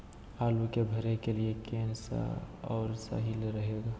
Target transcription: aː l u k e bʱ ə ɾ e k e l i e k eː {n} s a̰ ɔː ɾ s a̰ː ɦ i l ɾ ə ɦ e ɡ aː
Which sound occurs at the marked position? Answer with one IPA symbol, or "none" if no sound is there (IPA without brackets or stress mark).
n